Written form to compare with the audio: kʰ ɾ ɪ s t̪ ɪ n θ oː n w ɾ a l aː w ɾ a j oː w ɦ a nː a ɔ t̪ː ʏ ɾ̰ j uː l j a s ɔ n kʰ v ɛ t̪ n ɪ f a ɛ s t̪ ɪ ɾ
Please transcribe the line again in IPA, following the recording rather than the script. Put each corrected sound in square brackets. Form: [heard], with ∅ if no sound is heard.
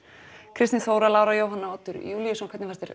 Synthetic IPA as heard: kʰ ɾ ɪ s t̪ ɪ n θ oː [∅] w ɾ a l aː w ɾ a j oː w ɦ a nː a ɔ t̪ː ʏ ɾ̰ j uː l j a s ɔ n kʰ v ɛ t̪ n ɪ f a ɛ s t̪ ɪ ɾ